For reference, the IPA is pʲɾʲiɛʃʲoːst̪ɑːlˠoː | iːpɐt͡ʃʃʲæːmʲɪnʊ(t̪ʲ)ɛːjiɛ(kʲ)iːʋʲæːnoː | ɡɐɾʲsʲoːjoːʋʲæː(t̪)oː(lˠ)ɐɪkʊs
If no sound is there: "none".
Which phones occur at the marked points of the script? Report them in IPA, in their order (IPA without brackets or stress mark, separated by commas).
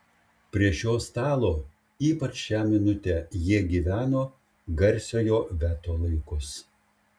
t̪ʲ, ɡʲ, t̪, lˠ